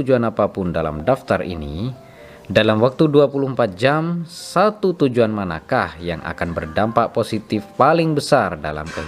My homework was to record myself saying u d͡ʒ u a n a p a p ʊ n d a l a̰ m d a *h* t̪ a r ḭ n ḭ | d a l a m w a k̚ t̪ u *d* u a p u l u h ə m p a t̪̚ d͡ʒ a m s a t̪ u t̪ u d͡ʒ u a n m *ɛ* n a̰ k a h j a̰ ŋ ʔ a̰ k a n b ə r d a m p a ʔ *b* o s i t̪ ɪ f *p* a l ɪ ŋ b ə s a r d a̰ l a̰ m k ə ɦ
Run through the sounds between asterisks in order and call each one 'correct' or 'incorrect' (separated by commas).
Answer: incorrect, correct, incorrect, incorrect, correct